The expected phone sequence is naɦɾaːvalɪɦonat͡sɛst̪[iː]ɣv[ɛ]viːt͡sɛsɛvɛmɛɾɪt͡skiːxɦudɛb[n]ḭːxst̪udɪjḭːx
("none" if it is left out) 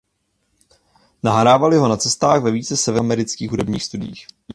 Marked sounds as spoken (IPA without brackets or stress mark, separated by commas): aː, ɛ, ɲ